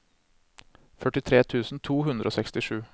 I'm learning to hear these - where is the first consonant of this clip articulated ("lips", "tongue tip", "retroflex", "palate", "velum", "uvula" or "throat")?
lips